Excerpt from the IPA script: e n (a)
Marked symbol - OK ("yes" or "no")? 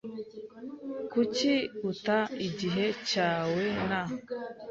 yes